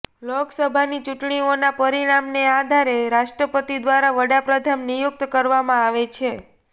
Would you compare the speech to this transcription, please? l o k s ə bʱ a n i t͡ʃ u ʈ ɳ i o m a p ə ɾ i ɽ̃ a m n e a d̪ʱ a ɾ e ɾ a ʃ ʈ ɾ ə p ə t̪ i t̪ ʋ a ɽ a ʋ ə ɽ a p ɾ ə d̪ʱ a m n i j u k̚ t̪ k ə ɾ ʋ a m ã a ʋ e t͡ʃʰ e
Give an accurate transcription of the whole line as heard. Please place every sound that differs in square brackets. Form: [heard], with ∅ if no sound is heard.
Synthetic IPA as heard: l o k s ə bʱ a n i t͡ʃ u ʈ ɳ i o [n] a p ə ɾ i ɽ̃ a m n e a d̪ʱ a ɾ e ɾ a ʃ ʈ ɾ ə p ə t̪ i [d̪] ʋ a [ɾ] a ʋ ə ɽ a p ɾ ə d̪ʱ a m n i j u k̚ t̪ k ə ɾ ʋ a m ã a ʋ e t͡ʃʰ e